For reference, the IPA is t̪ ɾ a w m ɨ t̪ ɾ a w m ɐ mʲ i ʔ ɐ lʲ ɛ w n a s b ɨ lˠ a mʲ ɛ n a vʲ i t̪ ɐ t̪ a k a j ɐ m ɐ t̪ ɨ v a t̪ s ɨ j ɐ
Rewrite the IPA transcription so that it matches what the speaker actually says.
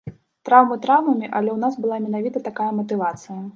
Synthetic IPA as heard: t̪ ɾ a w m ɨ t̪ ɾ a w m ɐ mʲ i ʔ ɐ lʲ ɛ w n a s b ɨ lˠ a mʲ ɛ n a vʲ i t̪ ɐ t̪ a k a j ɐ m ɐ t̪ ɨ v a t̪ s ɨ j ɐ